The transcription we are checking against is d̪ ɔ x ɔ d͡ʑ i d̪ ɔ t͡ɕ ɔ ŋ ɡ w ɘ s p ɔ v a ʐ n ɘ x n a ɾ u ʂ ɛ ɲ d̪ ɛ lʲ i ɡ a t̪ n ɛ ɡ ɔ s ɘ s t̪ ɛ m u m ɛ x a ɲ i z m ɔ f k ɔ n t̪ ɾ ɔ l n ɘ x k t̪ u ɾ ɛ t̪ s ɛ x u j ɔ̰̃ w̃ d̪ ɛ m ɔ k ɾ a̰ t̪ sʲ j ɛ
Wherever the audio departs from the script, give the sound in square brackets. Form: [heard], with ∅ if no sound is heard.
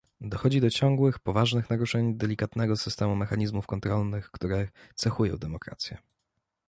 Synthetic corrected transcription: d̪ ɔ x ɔ d͡ʑ i d̪ ɔ t͡ɕ ɔ ŋ ɡ w ɘ [x] p ɔ v a ʐ n ɘ x n a ɾ u ʂ ɛ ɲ d̪ ɛ lʲ i [k] a t̪ n ɛ ɡ ɔ s ɘ s t̪ ɛ m u m ɛ x a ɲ i z m [u] f k ɔ n t̪ ɾ ɔ l n ɘ x k t̪ u ɾ ɛ t̪ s ɛ x u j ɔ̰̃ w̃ d̪ ɛ m ɔ k ɾ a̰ t̪ sʲ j ɛ